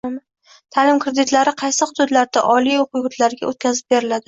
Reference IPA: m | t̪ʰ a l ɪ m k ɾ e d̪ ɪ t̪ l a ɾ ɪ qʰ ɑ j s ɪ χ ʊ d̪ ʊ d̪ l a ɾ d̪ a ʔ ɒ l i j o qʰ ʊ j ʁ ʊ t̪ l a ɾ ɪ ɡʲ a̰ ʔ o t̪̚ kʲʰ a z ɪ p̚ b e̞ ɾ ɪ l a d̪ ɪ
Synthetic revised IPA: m | t̪ʰ a l ɪ m k ɾ e d̪ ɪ t̪ l a ɾ ɪ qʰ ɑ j s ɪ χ ʊ d̪ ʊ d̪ l a ɾ d̪ a ʔ ɒ l i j o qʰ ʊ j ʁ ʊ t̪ l a ɾ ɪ ɡʲ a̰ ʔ o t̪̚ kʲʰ a z ɪ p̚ b e̞ ɾ ɪ l a d̪ ɪ